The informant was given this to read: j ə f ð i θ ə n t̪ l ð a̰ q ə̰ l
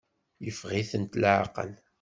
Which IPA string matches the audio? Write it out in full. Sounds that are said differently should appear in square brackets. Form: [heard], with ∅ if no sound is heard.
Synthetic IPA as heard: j ə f [ʁ] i θ ə n t̪ l [ʕ] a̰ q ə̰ l